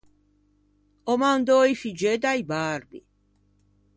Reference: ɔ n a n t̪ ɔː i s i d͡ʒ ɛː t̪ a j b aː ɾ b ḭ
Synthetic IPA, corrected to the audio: ɔ m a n d̪ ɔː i f i d͡ʒ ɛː d̪ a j b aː ɾ b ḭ